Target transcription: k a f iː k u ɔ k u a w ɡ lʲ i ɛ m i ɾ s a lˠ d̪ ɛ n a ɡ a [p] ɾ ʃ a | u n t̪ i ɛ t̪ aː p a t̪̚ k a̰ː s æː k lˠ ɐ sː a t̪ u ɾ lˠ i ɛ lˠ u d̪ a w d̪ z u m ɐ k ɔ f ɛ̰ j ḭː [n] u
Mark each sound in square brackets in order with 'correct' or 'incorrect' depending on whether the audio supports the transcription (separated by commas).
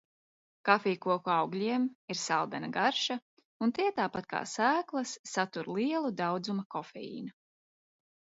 incorrect, correct